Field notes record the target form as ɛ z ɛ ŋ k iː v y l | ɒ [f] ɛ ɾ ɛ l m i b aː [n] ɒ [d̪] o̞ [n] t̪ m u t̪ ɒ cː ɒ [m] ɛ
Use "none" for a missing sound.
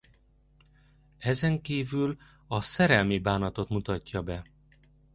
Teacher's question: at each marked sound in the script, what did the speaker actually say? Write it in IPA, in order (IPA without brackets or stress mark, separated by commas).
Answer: s, n, t̪, none, b